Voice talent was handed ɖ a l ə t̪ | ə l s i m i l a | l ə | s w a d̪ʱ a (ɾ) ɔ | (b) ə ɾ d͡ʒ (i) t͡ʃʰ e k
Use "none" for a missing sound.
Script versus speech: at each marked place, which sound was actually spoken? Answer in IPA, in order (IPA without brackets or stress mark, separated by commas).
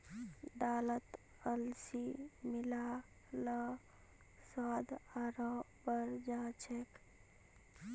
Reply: ɾ, b, a